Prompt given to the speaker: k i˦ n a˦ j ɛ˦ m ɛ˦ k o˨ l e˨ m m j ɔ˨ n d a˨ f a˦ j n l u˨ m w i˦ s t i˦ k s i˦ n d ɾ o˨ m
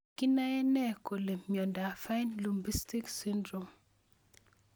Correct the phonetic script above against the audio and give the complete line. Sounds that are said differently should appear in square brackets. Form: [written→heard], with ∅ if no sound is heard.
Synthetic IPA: k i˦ n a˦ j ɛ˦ [m→n] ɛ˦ k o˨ l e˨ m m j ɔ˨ n d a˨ f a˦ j n l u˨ m [w→b] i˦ s t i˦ k s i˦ n d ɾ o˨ m

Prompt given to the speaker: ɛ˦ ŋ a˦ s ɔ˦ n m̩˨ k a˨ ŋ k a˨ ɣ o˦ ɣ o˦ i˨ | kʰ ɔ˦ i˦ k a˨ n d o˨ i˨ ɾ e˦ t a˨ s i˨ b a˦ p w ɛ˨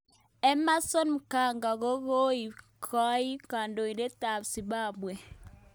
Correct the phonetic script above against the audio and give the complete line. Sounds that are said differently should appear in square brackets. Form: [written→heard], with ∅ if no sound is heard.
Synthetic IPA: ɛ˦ [ŋ→m] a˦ s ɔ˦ n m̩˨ k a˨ ŋ [k→ɡ] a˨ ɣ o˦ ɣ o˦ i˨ | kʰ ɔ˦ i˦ k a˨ n d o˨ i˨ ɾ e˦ t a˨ s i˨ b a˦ [p→b] w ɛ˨

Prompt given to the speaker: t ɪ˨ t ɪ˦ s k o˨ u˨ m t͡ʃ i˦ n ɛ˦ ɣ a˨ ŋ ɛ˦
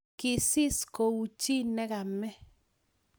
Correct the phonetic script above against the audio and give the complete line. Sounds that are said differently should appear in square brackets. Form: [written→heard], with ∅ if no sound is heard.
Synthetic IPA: [t→k] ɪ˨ [t→s] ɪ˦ s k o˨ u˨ [m→∅] t͡ʃ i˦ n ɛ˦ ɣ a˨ [ŋ→m] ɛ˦

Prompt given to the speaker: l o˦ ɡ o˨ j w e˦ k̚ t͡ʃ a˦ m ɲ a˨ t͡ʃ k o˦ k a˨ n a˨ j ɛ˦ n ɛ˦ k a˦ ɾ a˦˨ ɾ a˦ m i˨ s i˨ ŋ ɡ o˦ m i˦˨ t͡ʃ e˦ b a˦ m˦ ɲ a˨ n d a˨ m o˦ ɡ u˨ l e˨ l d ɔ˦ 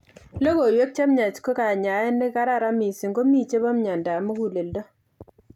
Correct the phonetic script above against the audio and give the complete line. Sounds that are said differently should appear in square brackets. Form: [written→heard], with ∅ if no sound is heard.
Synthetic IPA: l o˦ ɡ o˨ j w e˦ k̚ t͡ʃ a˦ m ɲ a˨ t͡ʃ k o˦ k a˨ [n→ɲ] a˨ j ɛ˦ n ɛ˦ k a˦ ɾ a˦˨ ɾ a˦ m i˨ s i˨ ŋ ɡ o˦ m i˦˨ t͡ʃ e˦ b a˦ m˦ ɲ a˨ n d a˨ m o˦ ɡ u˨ l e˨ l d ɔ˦

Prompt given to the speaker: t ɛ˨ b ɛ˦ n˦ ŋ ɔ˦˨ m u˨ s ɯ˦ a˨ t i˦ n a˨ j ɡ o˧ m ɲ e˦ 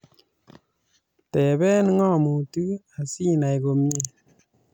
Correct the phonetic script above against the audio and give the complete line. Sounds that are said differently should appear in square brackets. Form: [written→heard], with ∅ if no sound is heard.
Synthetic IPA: t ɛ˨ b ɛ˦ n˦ ŋ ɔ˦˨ m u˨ [s→t] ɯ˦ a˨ [t→s] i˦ n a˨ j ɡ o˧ m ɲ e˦

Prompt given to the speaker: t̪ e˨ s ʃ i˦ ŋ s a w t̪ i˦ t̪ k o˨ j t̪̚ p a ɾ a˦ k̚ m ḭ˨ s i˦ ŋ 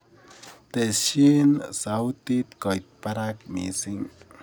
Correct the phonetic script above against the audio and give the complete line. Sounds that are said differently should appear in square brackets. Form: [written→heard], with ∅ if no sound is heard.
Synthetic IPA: t̪ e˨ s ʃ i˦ [ŋ→n] s a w t̪ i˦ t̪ k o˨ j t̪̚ p a ɾ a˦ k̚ m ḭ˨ s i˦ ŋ

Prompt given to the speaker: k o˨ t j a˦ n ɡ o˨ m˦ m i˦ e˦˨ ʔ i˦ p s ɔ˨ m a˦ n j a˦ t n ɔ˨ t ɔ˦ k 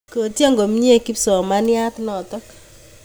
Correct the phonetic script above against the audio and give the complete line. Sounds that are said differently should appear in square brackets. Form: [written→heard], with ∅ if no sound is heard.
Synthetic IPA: k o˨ t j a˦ [n→ŋ] ɡ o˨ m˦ [m→ɲ] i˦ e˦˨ [ʔ→k] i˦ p s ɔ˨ m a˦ n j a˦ t n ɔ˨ t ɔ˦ k

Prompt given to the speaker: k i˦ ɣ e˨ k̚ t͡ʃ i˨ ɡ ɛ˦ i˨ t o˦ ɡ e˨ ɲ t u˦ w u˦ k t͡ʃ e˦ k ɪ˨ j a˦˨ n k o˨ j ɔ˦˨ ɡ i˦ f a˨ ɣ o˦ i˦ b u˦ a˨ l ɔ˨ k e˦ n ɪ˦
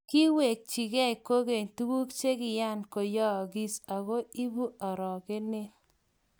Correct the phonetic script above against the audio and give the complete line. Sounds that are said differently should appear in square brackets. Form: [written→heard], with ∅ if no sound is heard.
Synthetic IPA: k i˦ [ɣ→w] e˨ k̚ t͡ʃ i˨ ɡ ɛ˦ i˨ [t→k] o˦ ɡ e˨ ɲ t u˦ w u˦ k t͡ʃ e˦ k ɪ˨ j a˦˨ n k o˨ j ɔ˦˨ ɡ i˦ [f→s] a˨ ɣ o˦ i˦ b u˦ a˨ [l→ɾ] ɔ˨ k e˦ n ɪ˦

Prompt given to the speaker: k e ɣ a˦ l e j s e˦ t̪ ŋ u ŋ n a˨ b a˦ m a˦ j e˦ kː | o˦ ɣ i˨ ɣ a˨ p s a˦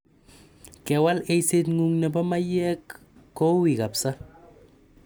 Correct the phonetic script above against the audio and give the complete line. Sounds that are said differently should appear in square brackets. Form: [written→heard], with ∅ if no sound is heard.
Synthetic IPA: k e [ɣ→w] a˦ l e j s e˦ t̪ ŋ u ŋ n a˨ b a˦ m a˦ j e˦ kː | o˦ [ɣ→w] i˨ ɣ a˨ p s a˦

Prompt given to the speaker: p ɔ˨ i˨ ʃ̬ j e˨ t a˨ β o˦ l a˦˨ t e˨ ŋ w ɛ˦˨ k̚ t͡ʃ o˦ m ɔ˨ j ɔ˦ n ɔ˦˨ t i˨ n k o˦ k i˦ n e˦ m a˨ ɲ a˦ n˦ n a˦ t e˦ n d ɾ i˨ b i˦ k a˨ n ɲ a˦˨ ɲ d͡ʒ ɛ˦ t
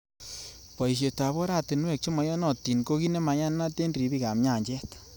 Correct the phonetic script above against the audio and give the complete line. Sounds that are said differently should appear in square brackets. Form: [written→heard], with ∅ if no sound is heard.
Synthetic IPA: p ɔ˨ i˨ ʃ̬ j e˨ t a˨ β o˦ [l→ɾ] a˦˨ t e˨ [ŋ→n] w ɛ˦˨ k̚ t͡ʃ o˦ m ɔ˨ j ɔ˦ n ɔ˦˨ t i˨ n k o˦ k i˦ n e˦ m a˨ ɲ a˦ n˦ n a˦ t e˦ n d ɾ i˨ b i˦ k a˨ [n→m] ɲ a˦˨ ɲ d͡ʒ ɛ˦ t

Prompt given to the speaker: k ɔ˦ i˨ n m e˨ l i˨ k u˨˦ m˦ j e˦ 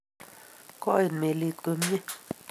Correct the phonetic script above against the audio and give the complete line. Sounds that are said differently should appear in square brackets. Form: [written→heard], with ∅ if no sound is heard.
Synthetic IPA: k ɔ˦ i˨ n m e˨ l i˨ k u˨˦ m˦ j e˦

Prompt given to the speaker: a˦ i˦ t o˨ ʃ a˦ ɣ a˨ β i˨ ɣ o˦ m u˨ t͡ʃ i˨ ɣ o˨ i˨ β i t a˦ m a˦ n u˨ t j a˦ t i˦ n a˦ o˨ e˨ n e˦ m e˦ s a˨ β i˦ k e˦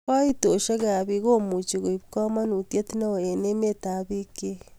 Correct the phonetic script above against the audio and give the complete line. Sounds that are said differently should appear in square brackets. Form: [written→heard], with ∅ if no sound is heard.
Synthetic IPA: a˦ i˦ t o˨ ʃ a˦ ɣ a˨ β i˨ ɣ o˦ m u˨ t͡ʃ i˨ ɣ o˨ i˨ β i [t→k] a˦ m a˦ n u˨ t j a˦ t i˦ n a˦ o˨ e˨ n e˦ m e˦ [s→t] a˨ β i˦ k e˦

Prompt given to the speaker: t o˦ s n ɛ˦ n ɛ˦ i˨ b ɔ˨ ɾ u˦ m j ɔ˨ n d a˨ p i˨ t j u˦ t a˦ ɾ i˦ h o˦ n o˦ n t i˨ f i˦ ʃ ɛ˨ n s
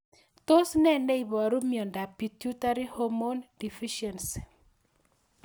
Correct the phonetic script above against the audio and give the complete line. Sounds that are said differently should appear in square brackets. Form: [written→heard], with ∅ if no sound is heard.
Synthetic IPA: t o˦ s n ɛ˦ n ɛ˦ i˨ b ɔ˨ ɾ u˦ m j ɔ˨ n d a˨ p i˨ t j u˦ t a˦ ɾ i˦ h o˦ [n→m] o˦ n [t→d] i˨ f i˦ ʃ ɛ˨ n s

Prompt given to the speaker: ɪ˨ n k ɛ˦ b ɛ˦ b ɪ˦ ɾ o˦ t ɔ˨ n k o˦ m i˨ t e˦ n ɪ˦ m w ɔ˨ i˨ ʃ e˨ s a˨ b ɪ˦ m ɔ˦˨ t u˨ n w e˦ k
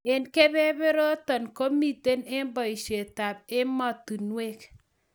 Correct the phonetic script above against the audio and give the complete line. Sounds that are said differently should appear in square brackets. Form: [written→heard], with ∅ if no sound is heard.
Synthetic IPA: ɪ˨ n k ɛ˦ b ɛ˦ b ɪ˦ ɾ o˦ t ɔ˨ n k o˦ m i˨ t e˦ n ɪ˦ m [w→b] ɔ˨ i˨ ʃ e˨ [s→t] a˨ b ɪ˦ m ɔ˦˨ t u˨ n w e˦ k

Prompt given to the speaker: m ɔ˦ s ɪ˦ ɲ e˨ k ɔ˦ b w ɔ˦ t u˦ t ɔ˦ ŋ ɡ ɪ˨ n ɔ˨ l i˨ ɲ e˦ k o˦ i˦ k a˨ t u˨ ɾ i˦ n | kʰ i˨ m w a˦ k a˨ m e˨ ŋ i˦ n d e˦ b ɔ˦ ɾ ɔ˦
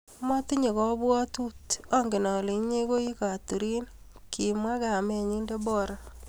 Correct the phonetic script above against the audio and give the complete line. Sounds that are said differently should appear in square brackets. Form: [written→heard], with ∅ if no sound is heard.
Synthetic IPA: m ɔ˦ [s→t] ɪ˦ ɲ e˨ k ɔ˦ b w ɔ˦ t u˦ t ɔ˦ ŋ ɡ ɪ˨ n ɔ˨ l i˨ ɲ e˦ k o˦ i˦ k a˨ t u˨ ɾ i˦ n | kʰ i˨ m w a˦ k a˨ m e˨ [ŋ→ɲ] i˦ n d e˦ b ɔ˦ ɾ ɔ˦

